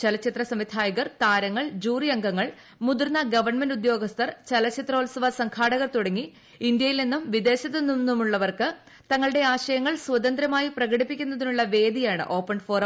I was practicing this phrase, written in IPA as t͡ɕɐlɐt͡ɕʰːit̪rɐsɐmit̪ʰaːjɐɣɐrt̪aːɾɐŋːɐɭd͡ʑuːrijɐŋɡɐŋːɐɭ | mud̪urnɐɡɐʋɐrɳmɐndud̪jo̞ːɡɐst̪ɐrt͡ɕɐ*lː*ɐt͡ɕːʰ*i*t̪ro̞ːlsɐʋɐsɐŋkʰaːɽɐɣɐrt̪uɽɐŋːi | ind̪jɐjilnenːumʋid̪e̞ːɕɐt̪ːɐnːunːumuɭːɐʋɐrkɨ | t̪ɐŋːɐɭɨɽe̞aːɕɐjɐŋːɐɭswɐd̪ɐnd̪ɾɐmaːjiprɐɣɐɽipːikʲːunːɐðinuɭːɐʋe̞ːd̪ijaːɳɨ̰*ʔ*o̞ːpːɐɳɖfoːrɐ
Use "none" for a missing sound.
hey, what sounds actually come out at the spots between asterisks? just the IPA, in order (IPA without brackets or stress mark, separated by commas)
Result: l, i, ʔ